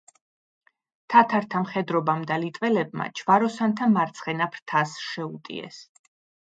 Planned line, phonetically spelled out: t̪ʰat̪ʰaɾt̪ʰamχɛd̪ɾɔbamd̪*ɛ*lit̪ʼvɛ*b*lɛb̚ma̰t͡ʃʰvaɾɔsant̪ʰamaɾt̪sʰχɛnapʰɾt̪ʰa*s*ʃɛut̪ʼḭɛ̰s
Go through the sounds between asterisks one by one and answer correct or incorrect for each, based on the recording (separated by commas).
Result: incorrect, incorrect, correct